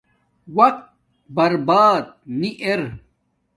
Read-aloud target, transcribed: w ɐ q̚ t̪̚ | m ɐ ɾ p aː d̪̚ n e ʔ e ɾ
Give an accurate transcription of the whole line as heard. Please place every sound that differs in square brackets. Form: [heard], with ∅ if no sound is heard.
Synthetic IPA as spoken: w ɐ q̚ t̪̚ | [b] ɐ ɾ [b] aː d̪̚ n [i] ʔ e ɾ